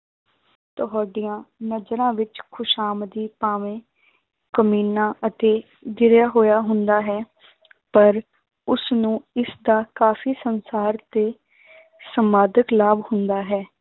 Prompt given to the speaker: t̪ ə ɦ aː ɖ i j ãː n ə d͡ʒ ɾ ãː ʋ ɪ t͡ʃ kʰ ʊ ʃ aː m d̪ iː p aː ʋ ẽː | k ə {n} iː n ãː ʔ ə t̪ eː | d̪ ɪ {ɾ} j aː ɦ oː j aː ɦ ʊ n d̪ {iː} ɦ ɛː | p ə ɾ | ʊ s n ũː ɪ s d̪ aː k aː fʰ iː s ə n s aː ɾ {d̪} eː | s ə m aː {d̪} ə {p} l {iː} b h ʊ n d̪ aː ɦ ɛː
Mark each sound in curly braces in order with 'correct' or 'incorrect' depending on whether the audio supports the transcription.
incorrect, correct, incorrect, incorrect, correct, incorrect, incorrect

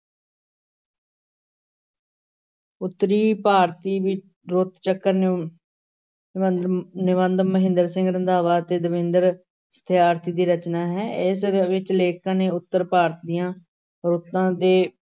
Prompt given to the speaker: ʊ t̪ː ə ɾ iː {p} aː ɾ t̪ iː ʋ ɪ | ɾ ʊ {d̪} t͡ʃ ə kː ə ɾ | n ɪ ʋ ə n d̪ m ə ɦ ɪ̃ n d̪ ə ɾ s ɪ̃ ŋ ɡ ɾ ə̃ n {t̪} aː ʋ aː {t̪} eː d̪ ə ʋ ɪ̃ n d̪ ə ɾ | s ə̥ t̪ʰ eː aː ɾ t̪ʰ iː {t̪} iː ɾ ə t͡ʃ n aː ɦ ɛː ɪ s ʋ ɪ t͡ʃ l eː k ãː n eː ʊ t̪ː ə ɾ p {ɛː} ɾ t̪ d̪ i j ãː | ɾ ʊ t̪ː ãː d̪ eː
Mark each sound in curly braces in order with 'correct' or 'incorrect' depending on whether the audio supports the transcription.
correct, incorrect, incorrect, correct, incorrect, incorrect

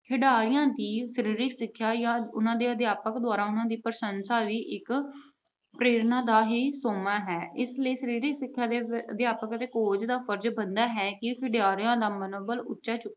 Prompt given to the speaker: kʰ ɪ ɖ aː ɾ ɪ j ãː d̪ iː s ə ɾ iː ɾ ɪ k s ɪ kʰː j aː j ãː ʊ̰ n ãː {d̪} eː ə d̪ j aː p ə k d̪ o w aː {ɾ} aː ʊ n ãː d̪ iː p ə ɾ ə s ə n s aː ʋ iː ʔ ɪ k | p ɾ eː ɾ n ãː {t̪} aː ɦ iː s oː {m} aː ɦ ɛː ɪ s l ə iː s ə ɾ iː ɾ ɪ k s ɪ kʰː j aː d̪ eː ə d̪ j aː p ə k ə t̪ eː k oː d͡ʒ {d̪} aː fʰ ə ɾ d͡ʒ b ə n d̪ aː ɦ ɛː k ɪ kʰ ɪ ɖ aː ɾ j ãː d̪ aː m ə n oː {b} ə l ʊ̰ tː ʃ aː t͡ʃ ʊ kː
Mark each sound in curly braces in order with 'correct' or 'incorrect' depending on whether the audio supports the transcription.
correct, correct, incorrect, correct, correct, correct

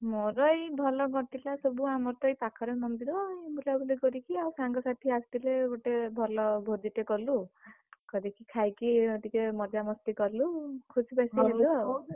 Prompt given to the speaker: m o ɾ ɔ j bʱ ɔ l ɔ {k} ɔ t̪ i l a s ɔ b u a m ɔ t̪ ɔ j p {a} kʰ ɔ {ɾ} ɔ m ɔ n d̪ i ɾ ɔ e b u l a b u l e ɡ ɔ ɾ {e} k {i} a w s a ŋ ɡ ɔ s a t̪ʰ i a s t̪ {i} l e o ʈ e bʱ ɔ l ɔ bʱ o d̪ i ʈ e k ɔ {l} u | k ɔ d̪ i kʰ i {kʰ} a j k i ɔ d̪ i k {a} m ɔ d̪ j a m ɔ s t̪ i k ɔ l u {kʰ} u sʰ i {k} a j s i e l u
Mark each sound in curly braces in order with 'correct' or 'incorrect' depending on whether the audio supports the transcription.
incorrect, correct, correct, incorrect, correct, correct, correct, correct, incorrect, correct, incorrect

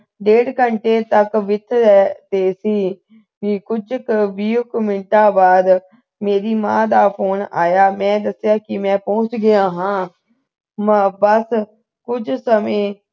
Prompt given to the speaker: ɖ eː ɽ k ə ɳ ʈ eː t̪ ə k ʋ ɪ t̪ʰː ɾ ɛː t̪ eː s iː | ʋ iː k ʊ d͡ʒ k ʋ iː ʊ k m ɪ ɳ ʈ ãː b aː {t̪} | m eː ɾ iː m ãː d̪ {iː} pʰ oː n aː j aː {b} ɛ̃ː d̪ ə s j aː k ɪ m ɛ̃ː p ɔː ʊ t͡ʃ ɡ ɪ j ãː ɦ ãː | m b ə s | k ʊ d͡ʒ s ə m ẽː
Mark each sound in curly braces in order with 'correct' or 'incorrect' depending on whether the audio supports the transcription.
incorrect, incorrect, incorrect

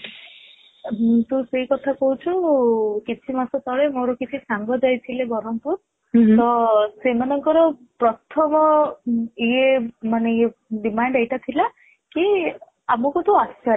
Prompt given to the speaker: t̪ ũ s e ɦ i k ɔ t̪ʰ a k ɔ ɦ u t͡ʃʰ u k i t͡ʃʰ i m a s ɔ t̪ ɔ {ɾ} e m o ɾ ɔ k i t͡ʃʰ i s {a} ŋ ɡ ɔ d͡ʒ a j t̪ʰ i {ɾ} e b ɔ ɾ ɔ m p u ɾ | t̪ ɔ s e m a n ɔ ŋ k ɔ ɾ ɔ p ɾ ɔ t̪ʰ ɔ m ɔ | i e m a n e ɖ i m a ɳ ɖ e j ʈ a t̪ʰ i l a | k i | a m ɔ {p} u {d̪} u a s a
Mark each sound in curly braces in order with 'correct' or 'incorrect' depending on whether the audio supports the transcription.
incorrect, correct, incorrect, incorrect, incorrect

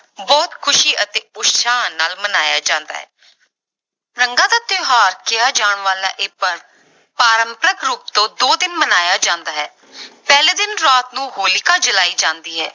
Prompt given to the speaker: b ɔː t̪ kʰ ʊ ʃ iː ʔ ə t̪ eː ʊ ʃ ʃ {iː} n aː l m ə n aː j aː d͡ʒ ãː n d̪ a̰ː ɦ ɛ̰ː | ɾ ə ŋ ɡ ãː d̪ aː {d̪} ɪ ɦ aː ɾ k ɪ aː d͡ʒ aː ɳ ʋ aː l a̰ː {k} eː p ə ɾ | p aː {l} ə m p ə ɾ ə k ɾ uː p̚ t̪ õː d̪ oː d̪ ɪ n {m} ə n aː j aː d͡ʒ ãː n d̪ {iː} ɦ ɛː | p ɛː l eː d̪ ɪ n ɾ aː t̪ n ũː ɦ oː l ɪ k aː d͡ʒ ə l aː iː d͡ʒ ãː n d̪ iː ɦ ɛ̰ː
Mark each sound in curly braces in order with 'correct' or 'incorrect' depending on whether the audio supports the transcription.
incorrect, incorrect, incorrect, incorrect, correct, incorrect

